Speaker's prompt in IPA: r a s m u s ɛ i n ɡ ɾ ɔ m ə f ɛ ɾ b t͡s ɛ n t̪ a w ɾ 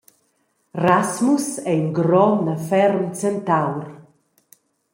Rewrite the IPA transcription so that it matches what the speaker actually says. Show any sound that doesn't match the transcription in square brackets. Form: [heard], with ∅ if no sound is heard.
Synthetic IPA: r a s m u s ɛ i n ɡ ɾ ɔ [n] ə f ɛ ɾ [m] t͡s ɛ n t̪ a w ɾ